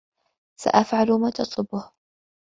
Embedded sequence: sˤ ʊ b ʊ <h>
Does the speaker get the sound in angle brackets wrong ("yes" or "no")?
no